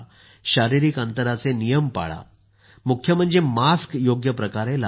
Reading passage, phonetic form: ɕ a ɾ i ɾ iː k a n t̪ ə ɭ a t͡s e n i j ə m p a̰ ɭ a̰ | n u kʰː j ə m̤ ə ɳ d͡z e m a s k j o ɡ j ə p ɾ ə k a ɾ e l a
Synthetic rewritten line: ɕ a ɾ i ɾ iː k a n t̪ ə ɾ a t͡s e n i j ə m p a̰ ɭ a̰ | m u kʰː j ə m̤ ə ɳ d͡z e m a s k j o ɡ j ə p ɾ ə k a ɾ e l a

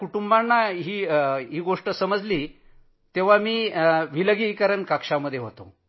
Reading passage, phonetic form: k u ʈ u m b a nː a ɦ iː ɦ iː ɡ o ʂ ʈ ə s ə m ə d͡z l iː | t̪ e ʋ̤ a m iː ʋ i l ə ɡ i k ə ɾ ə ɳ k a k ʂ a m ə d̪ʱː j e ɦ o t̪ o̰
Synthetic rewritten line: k u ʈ u m b a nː a ɦ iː ɦ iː ɡ o ʂ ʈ ə s ə m ə d͡z l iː | t̪ e ʋ̤ a m iː ʋ i l ə ɡ i k ə ɾ ə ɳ k a k ʂ a m ə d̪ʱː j e ɦ o t̪ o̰

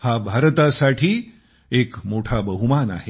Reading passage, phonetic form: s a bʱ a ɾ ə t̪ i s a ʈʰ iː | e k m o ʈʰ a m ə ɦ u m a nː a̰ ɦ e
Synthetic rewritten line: h a bʱ a ɾ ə t̪ a s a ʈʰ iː | e k m o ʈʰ a b ə ɦ u m a n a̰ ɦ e

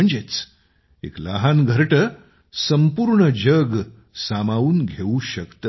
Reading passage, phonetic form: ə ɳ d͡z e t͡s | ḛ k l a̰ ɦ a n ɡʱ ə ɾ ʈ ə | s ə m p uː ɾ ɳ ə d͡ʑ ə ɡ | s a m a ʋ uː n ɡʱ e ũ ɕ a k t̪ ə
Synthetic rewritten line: ə ɳ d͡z e t͡s | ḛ k l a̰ ɦ a n ɡʱ ə ɾ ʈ ə | s ə m p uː ɾ ɳ ə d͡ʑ ə ɡ | s a m a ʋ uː n ɡʱ e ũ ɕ ə k t̪ ə

